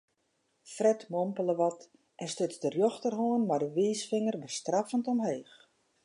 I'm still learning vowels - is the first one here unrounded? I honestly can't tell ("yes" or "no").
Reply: yes